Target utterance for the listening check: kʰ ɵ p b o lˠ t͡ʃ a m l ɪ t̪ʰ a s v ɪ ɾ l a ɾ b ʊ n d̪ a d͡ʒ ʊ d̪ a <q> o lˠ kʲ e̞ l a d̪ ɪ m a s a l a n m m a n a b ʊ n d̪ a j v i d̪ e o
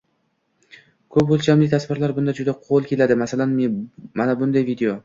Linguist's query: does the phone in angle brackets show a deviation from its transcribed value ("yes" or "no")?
yes